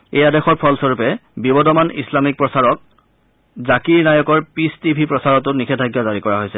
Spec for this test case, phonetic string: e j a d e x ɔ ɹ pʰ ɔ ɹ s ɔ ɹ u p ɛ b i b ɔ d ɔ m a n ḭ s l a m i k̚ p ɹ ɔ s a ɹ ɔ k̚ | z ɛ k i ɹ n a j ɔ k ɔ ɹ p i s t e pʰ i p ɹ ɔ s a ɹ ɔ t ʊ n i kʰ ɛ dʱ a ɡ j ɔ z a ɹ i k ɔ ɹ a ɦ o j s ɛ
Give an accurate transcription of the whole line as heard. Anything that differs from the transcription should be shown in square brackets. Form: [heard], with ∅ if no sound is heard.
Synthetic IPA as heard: e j a d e x ɔ ɹ pʰ ɔ [l] s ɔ ɹ u p ɛ b i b ɔ d ɔ m a n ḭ s l a m i k̚ p ɹ ɔ s a ɹ ɔ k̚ | z [a] k i ɹ n a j ɔ k ɔ ɹ p i s t [i] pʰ i p ɹ ɔ s a ɹ ɔ t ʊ n i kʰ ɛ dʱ a ɡ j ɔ z a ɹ i k ɔ ɹ a ɦ o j s ɛ